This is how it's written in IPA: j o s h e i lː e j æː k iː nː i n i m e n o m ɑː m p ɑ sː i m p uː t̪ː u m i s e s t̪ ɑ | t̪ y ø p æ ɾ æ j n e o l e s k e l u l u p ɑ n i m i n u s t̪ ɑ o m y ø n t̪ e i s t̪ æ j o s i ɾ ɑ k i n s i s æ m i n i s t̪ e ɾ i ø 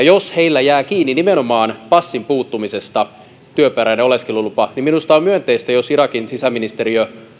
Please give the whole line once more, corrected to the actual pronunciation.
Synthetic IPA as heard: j o s h e i lː æ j æː k iː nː i n i m e n o m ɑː n p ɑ sː i m p uː t̪ː u m i s e s t̪ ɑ | t̪ y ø p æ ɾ æ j n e o l e s k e l u l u p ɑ n i m i n u s t̪ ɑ o m y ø n t̪ e i s t̪ æ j o s i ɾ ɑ k i n s i s æ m i n i s t̪ e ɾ i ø